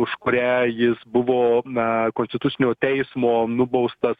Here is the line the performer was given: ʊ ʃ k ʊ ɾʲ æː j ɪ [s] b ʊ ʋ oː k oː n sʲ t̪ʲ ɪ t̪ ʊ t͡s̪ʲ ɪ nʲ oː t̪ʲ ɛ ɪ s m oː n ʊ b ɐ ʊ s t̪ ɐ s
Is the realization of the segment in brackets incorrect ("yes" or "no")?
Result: no